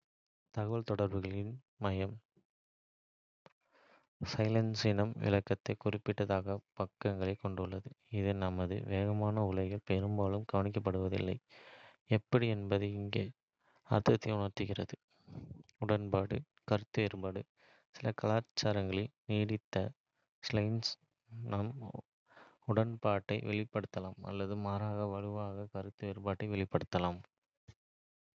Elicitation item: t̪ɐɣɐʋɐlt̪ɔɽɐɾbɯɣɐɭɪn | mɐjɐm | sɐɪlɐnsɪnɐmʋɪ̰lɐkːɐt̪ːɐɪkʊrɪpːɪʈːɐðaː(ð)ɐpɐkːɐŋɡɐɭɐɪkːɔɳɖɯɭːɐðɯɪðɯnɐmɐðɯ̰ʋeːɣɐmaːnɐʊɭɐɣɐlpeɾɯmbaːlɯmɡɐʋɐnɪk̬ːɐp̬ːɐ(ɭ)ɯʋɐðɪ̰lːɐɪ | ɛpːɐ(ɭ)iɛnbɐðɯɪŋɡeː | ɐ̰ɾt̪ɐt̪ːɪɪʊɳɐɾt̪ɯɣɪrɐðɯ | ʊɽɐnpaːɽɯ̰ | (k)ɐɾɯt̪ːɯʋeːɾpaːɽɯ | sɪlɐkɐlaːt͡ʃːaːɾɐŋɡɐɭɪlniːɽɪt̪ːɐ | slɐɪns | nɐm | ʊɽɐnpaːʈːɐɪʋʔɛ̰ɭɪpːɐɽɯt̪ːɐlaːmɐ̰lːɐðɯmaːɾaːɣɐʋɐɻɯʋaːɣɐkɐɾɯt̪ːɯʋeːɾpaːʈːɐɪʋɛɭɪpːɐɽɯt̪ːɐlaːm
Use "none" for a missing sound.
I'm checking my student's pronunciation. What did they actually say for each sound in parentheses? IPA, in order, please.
ɣ, ɽ, ɽ, k

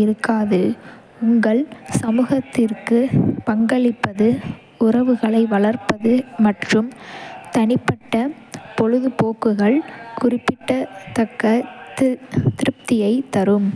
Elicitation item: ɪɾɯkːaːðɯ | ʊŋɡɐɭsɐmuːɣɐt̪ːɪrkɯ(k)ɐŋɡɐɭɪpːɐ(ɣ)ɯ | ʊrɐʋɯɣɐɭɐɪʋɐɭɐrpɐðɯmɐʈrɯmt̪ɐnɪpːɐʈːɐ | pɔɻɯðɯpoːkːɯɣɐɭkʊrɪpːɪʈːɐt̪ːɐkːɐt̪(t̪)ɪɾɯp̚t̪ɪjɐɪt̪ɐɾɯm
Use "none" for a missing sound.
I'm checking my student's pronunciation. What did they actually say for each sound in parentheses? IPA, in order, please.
p, ð, t̪

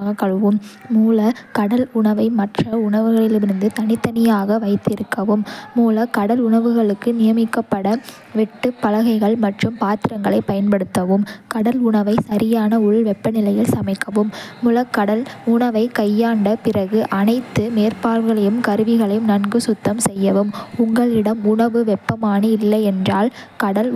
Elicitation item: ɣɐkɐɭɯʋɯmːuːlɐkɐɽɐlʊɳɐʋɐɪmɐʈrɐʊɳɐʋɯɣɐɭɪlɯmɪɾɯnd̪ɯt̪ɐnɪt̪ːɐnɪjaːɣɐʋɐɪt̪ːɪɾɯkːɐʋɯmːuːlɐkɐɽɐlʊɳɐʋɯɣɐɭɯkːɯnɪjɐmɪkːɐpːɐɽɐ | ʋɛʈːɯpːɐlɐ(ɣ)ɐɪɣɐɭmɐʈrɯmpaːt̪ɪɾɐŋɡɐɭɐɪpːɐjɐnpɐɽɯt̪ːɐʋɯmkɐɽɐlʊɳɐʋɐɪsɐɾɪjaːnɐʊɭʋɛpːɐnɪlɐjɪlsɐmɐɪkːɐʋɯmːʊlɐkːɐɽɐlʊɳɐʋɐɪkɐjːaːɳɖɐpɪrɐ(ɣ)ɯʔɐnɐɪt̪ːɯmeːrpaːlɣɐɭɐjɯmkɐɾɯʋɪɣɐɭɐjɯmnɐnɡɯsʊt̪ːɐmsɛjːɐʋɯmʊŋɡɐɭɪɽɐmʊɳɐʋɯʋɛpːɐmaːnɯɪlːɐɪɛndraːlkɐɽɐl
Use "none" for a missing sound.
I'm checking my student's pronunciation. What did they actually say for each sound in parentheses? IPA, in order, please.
ɣ, ɣ

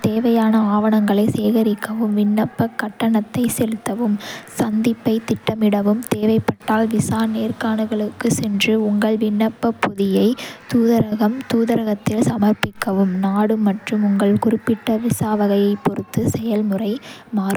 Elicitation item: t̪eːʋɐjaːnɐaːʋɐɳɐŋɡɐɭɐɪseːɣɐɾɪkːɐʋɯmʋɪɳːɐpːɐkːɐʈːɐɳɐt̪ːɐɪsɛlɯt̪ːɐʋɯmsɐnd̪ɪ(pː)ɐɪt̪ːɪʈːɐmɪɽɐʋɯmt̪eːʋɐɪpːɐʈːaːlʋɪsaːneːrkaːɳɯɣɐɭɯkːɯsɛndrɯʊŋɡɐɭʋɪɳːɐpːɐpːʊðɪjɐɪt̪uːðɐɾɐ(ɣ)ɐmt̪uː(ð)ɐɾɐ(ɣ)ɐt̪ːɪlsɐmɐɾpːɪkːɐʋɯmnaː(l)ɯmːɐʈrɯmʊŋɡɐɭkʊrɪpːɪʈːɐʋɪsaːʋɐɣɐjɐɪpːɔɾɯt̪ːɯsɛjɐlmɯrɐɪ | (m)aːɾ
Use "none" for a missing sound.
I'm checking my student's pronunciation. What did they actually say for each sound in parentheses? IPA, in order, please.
pː, ɣ, ð, ɣ, ɽ, m

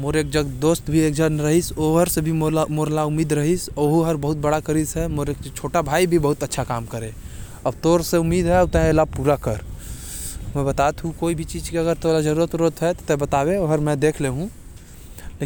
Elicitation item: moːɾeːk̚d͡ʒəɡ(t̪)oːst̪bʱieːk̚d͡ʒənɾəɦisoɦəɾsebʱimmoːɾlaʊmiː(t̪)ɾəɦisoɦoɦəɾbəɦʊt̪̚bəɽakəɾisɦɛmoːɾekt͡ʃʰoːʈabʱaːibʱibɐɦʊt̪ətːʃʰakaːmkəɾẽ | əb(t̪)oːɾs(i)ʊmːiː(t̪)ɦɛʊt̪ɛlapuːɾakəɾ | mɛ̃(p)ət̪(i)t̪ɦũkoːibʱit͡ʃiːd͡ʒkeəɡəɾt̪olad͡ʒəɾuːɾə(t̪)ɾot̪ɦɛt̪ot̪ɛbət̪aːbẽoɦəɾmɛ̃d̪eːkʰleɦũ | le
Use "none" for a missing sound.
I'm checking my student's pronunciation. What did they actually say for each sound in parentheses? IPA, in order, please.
d̪, d̪, t̪, e, d̪, b, a, t̪

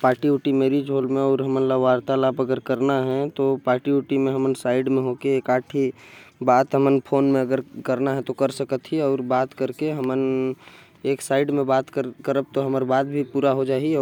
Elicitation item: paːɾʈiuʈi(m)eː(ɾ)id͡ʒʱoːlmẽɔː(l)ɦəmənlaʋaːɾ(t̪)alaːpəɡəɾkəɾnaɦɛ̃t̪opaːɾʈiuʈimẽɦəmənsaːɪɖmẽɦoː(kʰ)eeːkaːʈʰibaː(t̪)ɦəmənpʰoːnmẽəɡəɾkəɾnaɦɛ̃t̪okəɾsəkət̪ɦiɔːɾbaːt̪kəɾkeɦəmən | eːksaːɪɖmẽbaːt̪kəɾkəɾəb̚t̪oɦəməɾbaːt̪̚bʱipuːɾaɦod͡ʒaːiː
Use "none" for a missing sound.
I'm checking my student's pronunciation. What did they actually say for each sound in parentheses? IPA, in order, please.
m, ɾ, ɾ, t̪, k, t̪

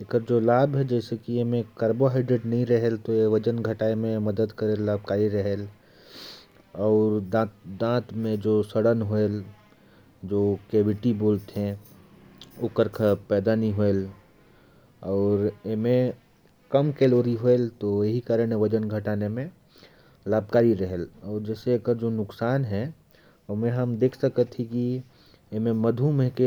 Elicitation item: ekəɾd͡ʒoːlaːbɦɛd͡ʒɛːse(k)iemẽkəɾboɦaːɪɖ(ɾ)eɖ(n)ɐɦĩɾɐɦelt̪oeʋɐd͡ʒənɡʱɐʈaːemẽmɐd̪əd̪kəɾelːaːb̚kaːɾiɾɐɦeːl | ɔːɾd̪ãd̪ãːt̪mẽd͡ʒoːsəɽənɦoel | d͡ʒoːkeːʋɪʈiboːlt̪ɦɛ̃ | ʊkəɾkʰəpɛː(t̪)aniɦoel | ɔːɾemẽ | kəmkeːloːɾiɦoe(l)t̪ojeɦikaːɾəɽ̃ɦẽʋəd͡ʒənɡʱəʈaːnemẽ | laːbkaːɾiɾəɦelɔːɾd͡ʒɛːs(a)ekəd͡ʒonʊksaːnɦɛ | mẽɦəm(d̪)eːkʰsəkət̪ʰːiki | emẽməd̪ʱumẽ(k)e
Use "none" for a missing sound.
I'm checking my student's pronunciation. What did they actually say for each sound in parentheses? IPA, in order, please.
k, ɾ, n, d̪, l, e, d̪, k

